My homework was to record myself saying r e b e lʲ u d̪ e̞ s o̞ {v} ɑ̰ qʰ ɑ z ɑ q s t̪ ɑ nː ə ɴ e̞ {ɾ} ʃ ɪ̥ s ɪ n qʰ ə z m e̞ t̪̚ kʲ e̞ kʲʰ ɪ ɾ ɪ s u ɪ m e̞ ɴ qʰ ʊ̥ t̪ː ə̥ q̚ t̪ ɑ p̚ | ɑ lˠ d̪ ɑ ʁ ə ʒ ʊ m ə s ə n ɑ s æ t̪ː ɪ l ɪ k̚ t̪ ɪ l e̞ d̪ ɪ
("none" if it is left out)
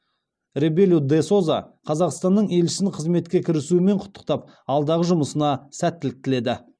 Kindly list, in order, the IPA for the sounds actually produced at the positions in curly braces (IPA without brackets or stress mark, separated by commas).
z, l